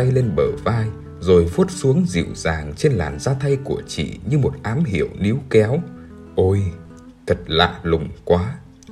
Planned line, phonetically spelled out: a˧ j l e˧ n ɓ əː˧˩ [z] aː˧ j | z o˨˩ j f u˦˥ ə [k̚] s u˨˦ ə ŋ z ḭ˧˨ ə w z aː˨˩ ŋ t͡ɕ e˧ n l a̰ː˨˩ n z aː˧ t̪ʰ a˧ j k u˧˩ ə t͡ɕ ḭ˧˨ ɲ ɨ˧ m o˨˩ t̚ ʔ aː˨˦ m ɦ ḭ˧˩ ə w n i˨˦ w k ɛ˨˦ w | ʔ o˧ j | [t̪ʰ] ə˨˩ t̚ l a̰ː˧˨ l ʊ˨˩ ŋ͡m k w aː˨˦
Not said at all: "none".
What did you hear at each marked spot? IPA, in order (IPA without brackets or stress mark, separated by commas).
v, t̚, t̪ʰ